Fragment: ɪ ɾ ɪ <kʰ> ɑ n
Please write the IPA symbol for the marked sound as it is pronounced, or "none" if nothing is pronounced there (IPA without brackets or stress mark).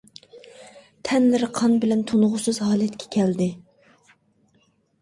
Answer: qʰ